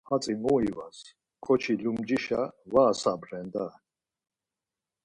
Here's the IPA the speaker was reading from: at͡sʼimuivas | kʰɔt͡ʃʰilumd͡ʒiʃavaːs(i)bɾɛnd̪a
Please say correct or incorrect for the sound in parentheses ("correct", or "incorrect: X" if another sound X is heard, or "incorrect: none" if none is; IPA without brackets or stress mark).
incorrect: a